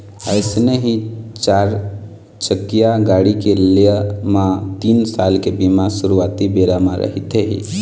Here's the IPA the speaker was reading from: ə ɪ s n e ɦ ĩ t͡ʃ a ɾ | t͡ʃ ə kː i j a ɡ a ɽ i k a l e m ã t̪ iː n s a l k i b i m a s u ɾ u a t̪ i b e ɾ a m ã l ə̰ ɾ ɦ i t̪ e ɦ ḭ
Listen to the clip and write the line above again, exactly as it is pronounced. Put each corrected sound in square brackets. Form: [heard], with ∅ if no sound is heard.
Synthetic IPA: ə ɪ s n e ɦ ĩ t͡ʃ a ɾ | t͡ʃ ə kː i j a ɡ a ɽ i k [e] l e m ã t̪ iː n s a l k [e] b i m a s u ɾ u a t̪ i b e ɾ a m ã [ɾ] ə̰ [∅] ɦ i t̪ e ɦ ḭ